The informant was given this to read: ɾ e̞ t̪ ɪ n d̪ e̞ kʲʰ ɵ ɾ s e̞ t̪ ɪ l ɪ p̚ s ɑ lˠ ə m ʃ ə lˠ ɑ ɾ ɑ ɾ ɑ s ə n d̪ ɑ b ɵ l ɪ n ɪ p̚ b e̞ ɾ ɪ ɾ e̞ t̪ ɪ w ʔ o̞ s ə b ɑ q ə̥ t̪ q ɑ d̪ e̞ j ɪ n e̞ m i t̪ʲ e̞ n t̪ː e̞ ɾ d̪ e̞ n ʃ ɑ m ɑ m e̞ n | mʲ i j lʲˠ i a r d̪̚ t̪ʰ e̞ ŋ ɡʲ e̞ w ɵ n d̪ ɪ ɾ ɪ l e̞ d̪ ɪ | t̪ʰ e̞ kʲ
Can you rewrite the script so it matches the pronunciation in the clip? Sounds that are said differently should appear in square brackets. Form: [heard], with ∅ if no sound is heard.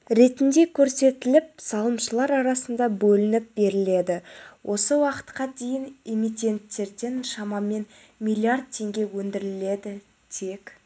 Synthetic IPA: ɾ e̞ t̪ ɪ n d̪ e̞ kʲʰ ɵ ɾ s e̞ t̪ ɪ l ɪ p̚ s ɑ lˠ ə m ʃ ə lˠ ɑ ɾ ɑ ɾ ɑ s ə n d̪ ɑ b ɵ l ɪ n ɪ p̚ b e̞ ɾ ɪ [l] e̞ [d̪] ɪ w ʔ o̞ s ə [w] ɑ q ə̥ t̪ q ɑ d̪ e̞ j ɪ n e̞ m i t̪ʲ e̞ n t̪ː e̞ ɾ d̪ e̞ n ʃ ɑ m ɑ m e̞ n | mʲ i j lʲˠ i a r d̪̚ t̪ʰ e̞ ŋ ɡʲ e̞ w ɵ n d̪ ɪ ɾ ɪ l e̞ d̪ ɪ | t̪ʰ e̞ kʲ

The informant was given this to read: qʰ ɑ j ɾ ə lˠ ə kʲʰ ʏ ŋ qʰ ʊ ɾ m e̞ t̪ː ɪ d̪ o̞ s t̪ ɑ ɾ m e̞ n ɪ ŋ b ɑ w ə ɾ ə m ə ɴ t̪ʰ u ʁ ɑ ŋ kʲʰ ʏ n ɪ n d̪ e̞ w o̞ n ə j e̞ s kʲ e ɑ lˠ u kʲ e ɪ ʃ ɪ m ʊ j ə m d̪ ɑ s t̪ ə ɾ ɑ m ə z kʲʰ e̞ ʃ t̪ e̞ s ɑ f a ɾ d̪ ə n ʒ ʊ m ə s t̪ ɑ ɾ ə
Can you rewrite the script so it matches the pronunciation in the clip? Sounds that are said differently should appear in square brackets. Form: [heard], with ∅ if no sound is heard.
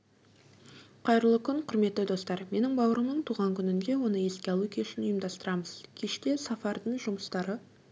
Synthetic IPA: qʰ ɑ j ɾ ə lˠ ə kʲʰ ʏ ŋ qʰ ʊ ɾ m e̞ t̪ː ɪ d̪ o̞ s t̪ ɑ ɾ m e̞ n ɪ ŋ b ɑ w ə ɾ ə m ə ɴ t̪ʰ u ʁ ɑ ŋ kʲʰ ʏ n ɪ n d̪ e̞ w o̞ n ə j e̞ s kʲ e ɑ lˠ u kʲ e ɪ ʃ ɪ [n] ʊ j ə m d̪ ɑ s t̪ ə ɾ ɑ m ə z kʲʰ e̞ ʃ t̪ e̞ s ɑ f [ɑ] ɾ d̪ ə [ɴ] ʒ ʊ m ə s t̪ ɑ ɾ ə

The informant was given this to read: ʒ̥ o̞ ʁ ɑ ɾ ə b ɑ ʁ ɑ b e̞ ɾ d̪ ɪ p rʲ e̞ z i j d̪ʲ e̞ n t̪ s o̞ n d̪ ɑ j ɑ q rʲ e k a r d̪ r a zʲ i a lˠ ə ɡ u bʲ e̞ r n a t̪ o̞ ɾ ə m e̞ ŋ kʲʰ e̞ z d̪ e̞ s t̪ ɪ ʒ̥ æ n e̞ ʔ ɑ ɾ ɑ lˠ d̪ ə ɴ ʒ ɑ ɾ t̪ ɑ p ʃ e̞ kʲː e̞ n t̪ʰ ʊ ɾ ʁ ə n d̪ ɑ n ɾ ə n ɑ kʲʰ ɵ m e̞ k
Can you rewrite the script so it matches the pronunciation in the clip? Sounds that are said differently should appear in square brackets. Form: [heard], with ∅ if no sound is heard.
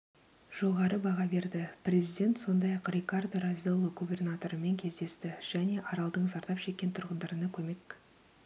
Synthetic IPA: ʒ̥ o̞ ʁ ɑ ɾ ə b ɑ ʁ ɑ b e̞ ɾ d̪ ɪ p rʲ e̞ z i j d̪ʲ e̞ n t̪ s o̞ n d̪ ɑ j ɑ q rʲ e k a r d̪ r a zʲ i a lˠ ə ɡ u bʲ e̞ r n a t̪ o̞ ɾ ə m e̞ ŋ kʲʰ e̞ z d̪ e̞ s t̪ ɪ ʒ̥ æ n e̞ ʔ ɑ ɾ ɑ lˠ d̪ ə ɴ [z] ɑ ɾ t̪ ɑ p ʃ e̞ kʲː e̞ n t̪ʰ ʊ ɾ ʁ ə n d̪ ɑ [∅] ɾ ə n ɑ kʲʰ ɵ m e̞ k

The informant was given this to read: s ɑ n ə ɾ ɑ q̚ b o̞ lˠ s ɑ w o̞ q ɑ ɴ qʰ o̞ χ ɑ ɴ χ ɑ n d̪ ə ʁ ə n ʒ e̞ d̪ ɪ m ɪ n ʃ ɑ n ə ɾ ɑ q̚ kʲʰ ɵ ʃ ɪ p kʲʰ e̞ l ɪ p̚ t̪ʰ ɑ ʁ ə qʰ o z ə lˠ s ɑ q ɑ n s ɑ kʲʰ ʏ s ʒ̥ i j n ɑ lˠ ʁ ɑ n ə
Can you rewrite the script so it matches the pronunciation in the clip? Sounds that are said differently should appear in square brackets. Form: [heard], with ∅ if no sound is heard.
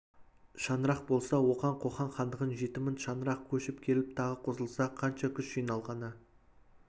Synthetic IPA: [ʃ] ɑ n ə ɾ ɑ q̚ b o̞ lˠ s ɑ w o̞ q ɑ ɴ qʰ o̞ χ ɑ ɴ χ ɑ n d̪ ə ʁ ə n ʒ e̞ [t̪] ɪ m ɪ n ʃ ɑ n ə ɾ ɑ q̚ kʲʰ ɵ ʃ ɪ p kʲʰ e̞ l ɪ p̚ t̪ʰ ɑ ʁ ə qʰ o z ə lˠ s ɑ [qʰ] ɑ n [ʃ] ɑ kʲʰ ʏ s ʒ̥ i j n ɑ lˠ ʁ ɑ n ə

